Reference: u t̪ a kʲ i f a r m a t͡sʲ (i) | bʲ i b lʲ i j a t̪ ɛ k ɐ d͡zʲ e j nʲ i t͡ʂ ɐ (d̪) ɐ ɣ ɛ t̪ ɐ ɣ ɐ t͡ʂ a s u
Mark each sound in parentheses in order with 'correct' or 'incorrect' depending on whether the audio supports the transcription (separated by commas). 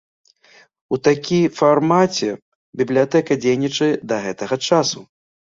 incorrect, correct